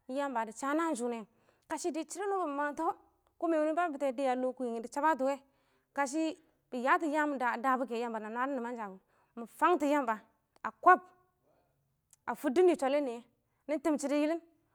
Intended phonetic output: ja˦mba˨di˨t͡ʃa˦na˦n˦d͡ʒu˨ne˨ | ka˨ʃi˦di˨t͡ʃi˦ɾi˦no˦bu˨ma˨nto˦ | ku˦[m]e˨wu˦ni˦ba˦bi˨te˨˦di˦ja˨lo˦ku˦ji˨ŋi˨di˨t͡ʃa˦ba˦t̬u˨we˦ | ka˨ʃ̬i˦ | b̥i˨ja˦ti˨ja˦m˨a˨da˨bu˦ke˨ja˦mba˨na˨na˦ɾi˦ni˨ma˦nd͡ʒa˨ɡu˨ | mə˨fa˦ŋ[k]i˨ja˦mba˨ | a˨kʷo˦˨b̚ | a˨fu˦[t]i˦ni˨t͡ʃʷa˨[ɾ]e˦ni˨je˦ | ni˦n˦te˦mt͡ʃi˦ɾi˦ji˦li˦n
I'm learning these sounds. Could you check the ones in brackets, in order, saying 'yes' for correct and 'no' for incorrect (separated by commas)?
yes, no, no, no